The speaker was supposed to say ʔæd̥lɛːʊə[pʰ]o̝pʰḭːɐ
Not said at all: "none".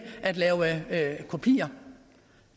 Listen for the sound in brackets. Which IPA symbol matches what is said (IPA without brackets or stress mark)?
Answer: kʰ